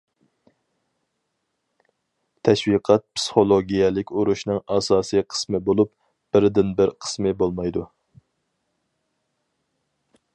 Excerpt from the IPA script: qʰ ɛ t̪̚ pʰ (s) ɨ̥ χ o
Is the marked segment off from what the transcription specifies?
no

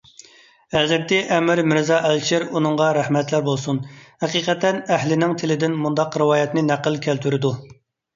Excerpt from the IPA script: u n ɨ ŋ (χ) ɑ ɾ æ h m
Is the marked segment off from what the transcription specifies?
yes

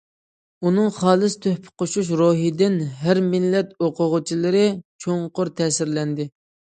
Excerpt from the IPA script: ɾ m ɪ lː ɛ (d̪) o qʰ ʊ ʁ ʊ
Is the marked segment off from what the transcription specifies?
yes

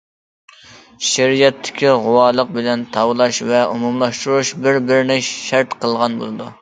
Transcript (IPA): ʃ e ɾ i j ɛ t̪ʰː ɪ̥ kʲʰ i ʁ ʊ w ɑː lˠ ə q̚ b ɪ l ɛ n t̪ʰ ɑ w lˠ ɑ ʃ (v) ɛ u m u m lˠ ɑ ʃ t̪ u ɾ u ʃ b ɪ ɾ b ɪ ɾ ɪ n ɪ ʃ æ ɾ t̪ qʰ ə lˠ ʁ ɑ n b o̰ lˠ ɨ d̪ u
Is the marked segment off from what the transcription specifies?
no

